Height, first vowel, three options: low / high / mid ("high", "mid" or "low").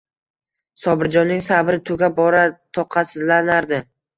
low